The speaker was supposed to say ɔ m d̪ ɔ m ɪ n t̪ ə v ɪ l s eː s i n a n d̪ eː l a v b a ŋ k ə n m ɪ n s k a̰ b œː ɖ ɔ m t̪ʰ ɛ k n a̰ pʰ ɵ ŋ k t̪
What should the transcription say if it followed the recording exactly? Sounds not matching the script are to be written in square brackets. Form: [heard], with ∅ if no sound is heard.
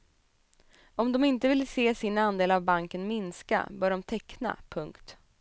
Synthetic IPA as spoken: ɔ m d̪ ɔ m ɪ n t̪ ə v ɪ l s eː s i n a n d̪ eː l a v b a ŋ k ə n m ɪ n s k a̰ b œː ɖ ɔ m t̪ʰ ɛ k n a̰ pʰ ɵ ŋ k t̪